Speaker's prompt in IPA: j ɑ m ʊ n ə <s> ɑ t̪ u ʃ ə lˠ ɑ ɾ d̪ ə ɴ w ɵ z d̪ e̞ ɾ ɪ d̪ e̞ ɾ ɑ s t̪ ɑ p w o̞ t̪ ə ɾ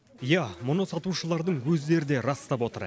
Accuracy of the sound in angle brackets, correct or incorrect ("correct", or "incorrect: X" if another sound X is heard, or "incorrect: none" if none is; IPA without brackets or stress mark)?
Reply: correct